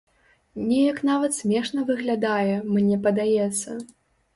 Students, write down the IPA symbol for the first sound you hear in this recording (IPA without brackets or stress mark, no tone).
nʲ